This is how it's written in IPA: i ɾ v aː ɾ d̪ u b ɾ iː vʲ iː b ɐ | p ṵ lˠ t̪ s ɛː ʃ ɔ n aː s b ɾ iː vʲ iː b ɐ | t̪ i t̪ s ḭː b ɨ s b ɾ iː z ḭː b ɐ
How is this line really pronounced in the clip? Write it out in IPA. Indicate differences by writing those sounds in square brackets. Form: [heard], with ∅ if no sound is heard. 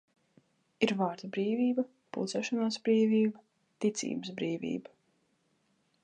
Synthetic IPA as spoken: i ɾ v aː ɾ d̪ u b ɾ iː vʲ iː b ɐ | p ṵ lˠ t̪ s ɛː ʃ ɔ n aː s b ɾ iː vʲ iː b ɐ | t̪ i t̪ s ḭː b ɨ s b ɾ iː [v] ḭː b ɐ